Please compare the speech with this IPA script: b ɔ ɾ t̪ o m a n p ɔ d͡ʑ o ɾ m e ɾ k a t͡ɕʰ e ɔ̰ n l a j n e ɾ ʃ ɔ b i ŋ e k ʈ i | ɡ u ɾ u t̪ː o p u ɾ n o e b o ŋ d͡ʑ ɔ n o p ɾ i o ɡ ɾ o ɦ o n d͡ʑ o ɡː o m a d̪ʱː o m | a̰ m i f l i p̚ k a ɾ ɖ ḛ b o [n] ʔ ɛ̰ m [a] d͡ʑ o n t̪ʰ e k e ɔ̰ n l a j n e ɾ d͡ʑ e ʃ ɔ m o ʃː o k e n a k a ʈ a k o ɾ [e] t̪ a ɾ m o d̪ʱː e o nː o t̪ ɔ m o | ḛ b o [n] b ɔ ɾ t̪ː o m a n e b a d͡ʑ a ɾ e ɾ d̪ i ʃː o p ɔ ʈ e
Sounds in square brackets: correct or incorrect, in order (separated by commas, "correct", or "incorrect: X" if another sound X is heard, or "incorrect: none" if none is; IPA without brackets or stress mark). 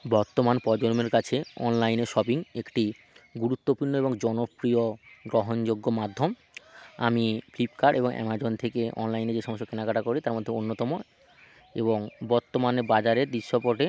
incorrect: ŋ, correct, incorrect: i, incorrect: ŋ